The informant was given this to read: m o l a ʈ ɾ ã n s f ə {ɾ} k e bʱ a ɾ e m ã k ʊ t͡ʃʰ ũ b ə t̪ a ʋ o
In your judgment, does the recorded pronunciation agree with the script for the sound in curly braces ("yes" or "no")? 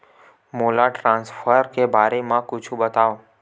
yes